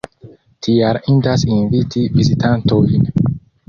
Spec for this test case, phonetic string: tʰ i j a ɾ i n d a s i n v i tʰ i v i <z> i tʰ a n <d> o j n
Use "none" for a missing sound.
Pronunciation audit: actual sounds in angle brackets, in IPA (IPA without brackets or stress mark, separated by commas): z, t